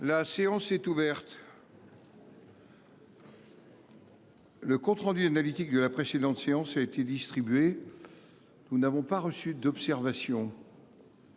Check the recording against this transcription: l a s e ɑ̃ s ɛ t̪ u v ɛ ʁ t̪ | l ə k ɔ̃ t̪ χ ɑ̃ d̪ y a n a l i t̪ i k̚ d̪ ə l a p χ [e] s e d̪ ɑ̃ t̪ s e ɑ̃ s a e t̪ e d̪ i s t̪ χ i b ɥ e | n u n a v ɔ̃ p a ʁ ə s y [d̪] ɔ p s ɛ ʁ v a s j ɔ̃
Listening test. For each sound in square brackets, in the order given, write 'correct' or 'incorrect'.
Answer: correct, correct

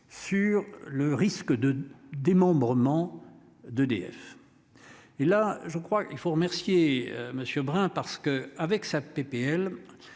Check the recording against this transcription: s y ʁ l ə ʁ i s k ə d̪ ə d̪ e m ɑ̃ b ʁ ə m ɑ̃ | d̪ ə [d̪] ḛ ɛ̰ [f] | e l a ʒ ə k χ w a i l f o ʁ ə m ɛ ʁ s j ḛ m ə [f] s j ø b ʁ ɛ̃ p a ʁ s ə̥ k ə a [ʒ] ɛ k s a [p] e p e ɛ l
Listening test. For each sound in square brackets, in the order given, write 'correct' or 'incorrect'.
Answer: correct, correct, incorrect: none, incorrect: v, correct

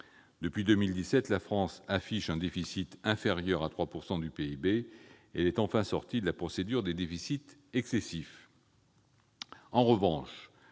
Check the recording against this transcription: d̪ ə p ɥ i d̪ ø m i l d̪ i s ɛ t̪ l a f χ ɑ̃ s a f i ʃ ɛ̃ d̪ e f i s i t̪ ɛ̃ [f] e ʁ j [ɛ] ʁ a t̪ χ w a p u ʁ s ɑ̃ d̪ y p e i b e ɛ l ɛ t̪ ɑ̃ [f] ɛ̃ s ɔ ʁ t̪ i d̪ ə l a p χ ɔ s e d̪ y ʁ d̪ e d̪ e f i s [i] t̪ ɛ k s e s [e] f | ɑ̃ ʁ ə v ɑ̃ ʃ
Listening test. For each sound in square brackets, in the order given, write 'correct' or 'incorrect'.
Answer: correct, incorrect: œ, correct, correct, incorrect: i

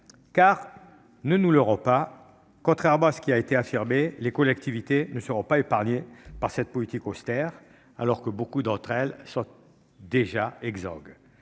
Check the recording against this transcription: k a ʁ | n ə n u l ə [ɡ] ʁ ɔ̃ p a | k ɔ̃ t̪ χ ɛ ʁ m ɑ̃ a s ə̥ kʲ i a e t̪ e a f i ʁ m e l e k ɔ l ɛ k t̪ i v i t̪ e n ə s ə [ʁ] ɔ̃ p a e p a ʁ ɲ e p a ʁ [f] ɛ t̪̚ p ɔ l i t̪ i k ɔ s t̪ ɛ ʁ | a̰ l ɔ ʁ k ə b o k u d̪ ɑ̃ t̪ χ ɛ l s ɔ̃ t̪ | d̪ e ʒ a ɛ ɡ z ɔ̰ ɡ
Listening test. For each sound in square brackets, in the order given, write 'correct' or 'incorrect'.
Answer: incorrect: none, correct, incorrect: s

